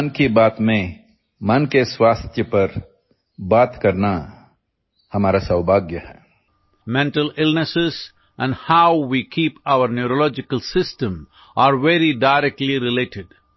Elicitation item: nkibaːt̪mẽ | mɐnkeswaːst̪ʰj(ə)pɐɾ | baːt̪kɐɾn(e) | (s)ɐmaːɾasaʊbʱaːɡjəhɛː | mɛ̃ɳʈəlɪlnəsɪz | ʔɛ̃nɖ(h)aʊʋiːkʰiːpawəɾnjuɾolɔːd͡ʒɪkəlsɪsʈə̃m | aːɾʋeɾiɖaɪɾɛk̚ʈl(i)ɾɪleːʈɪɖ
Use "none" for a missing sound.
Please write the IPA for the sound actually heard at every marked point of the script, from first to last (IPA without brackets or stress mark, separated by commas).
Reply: ə, a, h, h, i